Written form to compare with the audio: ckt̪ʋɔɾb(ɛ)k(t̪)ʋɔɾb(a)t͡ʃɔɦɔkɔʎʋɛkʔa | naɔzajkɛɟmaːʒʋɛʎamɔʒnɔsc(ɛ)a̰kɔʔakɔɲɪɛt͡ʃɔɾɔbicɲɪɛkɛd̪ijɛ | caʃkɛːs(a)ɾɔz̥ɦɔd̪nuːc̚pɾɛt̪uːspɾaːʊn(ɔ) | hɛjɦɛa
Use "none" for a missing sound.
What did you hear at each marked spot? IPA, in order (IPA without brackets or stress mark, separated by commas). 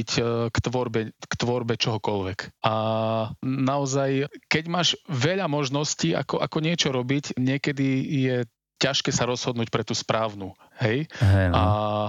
ɛ, t̪, ɛ, i, a, u